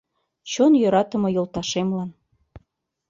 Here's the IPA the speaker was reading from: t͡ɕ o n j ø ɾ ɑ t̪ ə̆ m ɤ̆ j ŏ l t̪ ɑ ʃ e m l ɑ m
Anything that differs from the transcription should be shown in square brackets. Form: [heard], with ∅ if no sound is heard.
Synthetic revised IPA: t͡ɕ o n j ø ɾ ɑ t̪ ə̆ m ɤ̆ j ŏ l t̪ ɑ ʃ e m l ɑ [n]